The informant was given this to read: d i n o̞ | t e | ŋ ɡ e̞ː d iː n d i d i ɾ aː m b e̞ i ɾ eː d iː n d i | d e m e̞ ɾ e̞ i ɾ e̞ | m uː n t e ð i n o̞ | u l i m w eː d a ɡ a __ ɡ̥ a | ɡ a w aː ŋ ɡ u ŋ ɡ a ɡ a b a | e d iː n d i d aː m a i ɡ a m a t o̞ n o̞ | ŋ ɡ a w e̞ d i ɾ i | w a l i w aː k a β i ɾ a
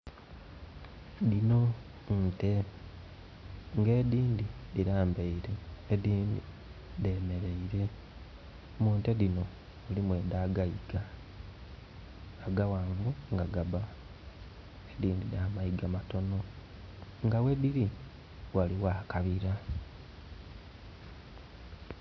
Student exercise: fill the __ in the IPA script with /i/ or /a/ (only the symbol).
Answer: i